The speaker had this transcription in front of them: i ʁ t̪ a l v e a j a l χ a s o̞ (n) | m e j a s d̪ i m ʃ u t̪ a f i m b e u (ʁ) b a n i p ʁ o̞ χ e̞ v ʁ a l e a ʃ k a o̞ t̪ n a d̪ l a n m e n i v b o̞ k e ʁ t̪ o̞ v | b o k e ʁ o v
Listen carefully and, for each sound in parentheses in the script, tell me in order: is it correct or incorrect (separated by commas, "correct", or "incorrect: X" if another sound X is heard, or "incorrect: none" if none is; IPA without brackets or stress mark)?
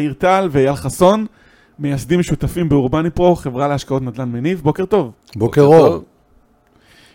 correct, correct